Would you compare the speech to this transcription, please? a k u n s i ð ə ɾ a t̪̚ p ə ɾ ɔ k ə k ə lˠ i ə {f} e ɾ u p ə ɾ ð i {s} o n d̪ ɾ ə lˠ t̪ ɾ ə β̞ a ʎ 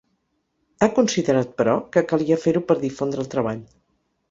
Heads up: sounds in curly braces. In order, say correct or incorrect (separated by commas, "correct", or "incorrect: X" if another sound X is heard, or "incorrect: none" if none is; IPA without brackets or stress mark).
correct, incorrect: f